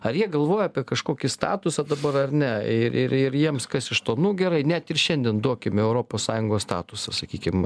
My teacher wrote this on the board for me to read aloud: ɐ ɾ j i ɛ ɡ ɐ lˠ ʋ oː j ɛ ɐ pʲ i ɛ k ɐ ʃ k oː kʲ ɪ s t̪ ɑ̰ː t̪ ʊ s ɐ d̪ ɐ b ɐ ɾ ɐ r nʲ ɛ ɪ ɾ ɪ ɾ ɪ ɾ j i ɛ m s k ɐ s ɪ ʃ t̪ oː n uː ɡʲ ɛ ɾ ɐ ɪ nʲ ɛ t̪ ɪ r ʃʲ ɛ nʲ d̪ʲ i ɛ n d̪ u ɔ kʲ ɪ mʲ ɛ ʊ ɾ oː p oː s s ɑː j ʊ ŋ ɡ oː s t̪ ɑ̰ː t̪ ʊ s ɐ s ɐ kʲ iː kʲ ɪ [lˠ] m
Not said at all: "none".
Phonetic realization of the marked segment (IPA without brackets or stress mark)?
none